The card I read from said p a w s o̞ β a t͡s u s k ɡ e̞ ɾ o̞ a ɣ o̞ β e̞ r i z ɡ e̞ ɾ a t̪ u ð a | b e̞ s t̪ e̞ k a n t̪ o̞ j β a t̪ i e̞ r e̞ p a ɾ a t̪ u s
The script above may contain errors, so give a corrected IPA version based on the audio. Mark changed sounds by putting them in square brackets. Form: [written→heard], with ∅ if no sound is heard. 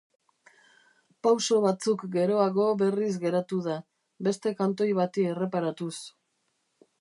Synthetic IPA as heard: p a w s o̞ β a t͡s u [s→∅] k ɡ e̞ ɾ o̞ a ɣ o̞ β e̞ r i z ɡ e̞ ɾ a t̪ u ð a | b e̞ s t̪ e̞ k a n t̪ o̞ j β a t̪ i e̞ r e̞ p a ɾ a t̪ u s

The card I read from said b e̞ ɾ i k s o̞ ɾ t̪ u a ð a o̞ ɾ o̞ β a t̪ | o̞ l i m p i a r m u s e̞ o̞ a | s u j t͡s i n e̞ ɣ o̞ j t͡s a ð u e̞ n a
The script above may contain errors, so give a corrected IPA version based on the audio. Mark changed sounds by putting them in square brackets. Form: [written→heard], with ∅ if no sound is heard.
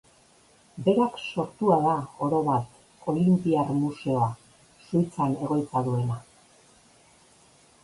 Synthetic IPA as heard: b e̞ ɾ [i→a] k s o̞ ɾ t̪ u a ð a o̞ ɾ o̞ β a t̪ | o̞ l i m p i a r m u s e̞ o̞ a | s u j t͡s [i→a] n e̞ ɣ o̞ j t͡s a ð u e̞ n a

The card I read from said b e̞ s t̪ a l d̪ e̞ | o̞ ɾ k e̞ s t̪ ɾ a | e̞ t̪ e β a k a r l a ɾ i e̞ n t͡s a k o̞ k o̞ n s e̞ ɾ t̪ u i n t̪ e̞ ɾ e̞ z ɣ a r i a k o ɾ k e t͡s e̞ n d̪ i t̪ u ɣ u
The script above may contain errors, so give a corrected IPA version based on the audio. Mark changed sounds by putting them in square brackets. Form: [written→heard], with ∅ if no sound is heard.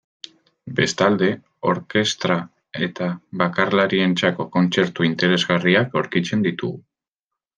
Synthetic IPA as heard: b e̞ s t̪ a l d̪ e̞ | o̞ ɾ k e̞ s t̪ ɾ a | e̞ t̪ [e→a] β a k a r l a ɾ i e̞ n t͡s a k o̞ k o̞ n [s→t͡s] e̞ ɾ t̪ u i n t̪ e̞ ɾ e̞ z ɣ a r i a k o ɾ k [e→i] t͡s e̞ n d̪ i t̪ u ɣ u

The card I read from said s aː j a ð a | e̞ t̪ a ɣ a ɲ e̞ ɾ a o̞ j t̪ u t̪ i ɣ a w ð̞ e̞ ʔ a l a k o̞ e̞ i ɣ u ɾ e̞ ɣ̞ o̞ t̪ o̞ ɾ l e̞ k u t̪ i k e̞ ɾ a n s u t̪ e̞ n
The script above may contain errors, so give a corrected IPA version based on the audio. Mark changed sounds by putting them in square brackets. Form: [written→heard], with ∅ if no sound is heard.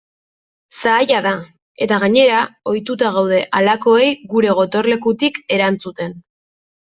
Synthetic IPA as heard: s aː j a ð a | e̞ t̪ a ɣ a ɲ e̞ ɾ a o̞ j t̪ u t̪ [i→a] ɣ a w ð̞ e̞ ʔ a l a k o̞ e̞ [i→j] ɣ u ɾ e̞ ɣ̞ o̞ t̪ o̞ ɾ l e̞ k u t̪ i k e̞ ɾ a n [s→t͡s] u t̪ e̞ n

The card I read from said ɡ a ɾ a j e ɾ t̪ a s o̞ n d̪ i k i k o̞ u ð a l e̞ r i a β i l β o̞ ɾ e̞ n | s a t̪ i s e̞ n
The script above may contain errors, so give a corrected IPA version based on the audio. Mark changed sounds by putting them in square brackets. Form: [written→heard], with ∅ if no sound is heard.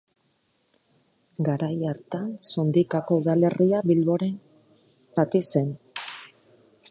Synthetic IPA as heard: ɡ a ɾ a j [e→a] ɾ t̪ a s o̞ n d̪ i k [i→a] k o̞ u ð a l e̞ r i a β i l β o̞ ɾ e̞ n | s a t̪ i s e̞ n

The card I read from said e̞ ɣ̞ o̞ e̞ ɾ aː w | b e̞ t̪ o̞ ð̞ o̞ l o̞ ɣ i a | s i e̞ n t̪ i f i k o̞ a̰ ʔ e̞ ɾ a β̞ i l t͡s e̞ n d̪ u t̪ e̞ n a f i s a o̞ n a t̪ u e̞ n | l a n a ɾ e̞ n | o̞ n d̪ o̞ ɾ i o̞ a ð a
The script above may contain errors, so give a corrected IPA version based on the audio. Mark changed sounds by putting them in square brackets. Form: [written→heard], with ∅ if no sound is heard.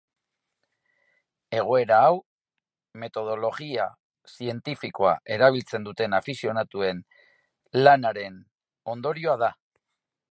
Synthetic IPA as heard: e̞ ɣ̞ o̞ e̞ ɾ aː w | [b→m] e̞ t̪ o̞ ð̞ o̞ l o̞ ɣ i a | s i e̞ n t̪ i f i k o̞ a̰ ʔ e̞ ɾ a β̞ i l t͡s e̞ n d̪ u t̪ e̞ n a f i s [a→i] o̞ n a t̪ u e̞ n | l a n a ɾ e̞ n | o̞ n d̪ o̞ ɾ i o̞ a ð a

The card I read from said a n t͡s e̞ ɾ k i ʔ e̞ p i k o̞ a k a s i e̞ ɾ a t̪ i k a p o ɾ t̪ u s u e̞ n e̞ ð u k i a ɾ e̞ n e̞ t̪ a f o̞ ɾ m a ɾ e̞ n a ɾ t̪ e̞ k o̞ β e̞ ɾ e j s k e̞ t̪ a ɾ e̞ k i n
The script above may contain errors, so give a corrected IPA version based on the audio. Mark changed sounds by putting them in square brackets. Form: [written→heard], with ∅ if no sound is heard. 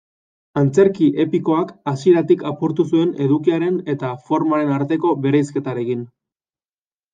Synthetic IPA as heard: a n t͡s e̞ ɾ k i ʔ e̞ p i k o̞ a k a s i e̞ ɾ a t̪ i k a p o ɾ t̪ u s u e̞ n e̞ ð u k i a ɾ e̞ n e̞ t̪ a f o̞ ɾ m a ɾ e̞ n a ɾ t̪ e̞ k o̞ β e̞ ɾ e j s k e̞ t̪ a ɾ e̞ k i n

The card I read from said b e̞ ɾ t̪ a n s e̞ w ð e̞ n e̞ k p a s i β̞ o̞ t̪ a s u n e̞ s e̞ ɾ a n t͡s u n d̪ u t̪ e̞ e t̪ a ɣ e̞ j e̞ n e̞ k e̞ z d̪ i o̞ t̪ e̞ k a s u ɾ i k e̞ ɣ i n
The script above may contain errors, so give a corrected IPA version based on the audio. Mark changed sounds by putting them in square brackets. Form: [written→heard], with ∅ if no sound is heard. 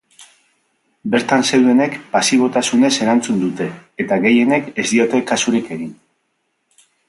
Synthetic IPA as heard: b e̞ ɾ t̪ a n s e̞ w ð e̞ n e̞ k p a s i β̞ o̞ t̪ a s u n e̞ s e̞ ɾ a n t͡s u n d̪ u t̪ e̞ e t̪ a ɣ e̞ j e̞ n e̞ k e̞ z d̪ i o̞ t̪ e̞ k a s u ɾ i k e̞ ɣ i n

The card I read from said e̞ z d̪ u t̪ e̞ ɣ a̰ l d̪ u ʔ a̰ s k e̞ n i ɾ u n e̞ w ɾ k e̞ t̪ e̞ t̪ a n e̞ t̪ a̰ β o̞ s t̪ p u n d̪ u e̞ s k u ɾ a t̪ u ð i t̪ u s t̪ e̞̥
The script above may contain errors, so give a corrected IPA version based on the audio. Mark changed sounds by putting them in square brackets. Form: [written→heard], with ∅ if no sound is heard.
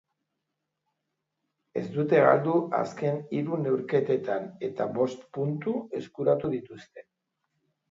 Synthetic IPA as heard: e̞ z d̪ u t̪ e̞ ɣ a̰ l d̪ u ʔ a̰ s k e̞ n i ɾ u n e̞ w ɾ k e̞ t̪ e̞ t̪ a n e̞ t̪ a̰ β o̞ s t̪ p u n [d̪→t̪] u e̞ s k u ɾ a t̪ u ð i t̪ u s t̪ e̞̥

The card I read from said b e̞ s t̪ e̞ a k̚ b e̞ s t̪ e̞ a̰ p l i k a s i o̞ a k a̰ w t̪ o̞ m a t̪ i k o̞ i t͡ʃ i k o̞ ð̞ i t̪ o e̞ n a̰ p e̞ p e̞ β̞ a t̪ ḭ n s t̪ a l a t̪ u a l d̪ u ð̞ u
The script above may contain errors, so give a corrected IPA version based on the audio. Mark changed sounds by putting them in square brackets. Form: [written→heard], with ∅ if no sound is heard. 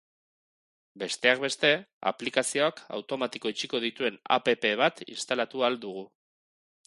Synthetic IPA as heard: b e̞ s t̪ e̞ a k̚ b e̞ s t̪ e̞ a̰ p l i k a s i o̞ a k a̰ w t̪ o̞ m a t̪ i k o̞ i t͡ʃ i k o̞ ð̞ i t̪ [o→u] e̞ n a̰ p e̞ p e̞ β̞ a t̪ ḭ n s t̪ a l a t̪ u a l d̪ u [ð̞→ɣ̞] u

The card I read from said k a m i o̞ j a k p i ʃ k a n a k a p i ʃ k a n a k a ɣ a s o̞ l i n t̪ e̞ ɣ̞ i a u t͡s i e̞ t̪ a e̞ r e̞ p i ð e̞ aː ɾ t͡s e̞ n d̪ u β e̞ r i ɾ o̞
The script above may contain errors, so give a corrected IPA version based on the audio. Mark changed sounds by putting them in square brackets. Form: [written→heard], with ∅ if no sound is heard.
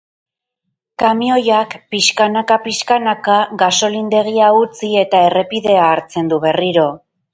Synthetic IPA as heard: k a m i o̞ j a k p i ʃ k a n a k a p i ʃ k a n a k a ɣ a s o̞ l i n [t̪→d̪] e̞ ɣ̞ i a u t͡s i e̞ t̪ a e̞ r e̞ p i ð e̞ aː ɾ t͡s e̞ n d̪ u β e̞ r i ɾ o̞

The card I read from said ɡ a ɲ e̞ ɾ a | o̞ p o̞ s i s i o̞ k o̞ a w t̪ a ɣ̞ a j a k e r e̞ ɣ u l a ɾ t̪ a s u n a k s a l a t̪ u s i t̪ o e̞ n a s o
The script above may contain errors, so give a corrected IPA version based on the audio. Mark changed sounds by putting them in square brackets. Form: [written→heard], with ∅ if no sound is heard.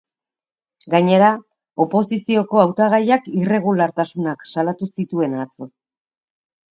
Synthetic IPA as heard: ɡ a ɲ e̞ ɾ a | o̞ p o̞ s i s i o̞ k o̞ a w t̪ a ɣ̞ a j a k [e→i] r e̞ ɣ u l a ɾ t̪ a s u n a k s a l a t̪ u s i t̪ [o→u] e̞ n a [s→t͡s] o

